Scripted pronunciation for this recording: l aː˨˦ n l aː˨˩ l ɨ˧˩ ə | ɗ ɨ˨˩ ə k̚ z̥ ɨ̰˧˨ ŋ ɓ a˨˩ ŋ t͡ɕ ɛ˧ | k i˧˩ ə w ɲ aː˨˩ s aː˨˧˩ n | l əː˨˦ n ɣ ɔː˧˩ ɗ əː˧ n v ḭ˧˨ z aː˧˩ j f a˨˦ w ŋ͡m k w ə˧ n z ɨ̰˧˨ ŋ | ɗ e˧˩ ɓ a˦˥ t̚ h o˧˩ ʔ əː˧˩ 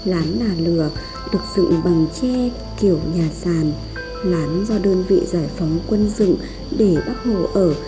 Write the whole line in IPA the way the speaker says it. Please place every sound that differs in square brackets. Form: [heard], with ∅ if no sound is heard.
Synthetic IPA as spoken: l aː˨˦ n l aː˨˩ l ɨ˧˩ ə | ɗ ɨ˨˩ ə k̚ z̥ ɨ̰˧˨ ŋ ɓ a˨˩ ŋ t͡ɕ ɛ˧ | k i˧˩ ə w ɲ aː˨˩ s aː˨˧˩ n | l [aː˨˦] n [z] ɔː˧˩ ɗ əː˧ n v ḭ˧˨ z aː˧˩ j f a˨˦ w ŋ͡m k w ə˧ n z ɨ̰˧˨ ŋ | ɗ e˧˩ ɓ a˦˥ t̚ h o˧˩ ʔ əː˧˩